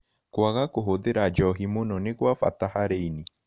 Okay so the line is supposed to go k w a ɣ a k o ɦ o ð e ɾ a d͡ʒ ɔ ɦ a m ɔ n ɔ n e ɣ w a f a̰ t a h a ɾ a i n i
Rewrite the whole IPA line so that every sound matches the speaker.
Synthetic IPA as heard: k w a ɣ a k o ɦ o ð e ɾ a d͡ʒ ɔ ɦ i m o n ɔ n e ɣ w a f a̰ t a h a ɾ e i n i

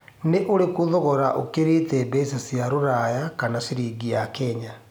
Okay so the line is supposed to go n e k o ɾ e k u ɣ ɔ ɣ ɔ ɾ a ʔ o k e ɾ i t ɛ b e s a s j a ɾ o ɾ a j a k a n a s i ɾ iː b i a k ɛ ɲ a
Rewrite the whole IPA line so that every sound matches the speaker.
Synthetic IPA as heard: n e ʔ o ɾ e k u ð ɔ ɣ ɔ ɾ a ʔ o k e ɾ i t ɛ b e s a s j a ɾ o ɾ a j a k a n a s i ɾ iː ɡ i a k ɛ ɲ a

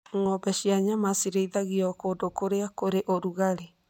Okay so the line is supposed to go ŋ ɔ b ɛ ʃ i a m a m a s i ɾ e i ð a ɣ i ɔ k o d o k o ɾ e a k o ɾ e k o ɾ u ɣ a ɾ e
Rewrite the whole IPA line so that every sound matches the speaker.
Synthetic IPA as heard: ŋ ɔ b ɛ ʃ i a ɲ a m a s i ɾ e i ð a ɣ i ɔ k o d o k o ɾ e a k o ɾ e ʔ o ɾ u ɣ a ɾ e

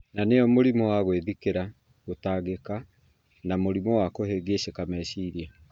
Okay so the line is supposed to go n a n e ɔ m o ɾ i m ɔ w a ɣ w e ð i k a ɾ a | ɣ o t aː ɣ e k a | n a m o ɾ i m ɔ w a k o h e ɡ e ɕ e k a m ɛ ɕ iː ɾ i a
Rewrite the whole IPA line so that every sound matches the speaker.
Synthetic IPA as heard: n a n e ɔ m o ɾ i m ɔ w a ɣ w e ð i k e ɾ a | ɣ o t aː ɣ e k a | n a m o ɾ i m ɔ w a k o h e ɡ e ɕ e k a m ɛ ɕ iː ɾ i a

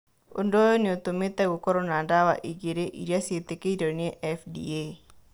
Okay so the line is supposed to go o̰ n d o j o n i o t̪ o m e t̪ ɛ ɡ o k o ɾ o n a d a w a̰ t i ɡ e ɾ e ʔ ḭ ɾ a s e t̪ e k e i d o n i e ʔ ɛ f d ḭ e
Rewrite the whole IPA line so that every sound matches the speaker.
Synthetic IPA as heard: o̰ n d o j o n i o t̪ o m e t̪ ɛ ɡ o k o ɾ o n a d a w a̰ ʔ i ɡ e ɾ e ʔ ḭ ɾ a s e t̪ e k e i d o n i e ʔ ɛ f d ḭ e

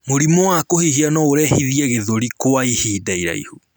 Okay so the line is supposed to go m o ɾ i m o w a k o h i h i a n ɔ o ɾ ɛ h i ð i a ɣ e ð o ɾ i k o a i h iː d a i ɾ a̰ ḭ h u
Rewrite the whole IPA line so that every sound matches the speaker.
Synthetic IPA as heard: m o ɾ i m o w a k o h i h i a n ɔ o ɾ ɛ h i ð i ɛ ɣ e ð o ɾ i k o a i h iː d a i ɾ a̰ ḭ h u

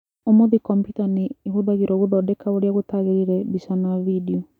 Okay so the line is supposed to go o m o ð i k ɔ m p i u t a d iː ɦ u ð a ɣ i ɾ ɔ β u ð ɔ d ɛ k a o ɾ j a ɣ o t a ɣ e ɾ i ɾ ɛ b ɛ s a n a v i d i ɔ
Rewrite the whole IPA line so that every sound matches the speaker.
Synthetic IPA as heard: o m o ð i k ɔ m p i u t a n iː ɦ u ð a ɣ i ɾ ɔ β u ð ɔ d ɛ k a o ɾ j a ɣ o t a ɣ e ɾ i ɾ ɛ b i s a n a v i d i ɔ

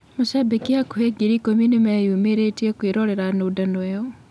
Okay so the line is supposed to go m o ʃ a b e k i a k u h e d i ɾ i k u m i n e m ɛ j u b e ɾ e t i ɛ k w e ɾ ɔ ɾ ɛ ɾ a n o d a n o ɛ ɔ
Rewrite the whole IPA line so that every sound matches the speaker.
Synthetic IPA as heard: m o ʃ a b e k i a k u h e ɡ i ɾ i k o m i n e m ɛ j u m e ɾ e t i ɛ k w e ɾ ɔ ɾ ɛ ɾ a n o d a n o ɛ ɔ

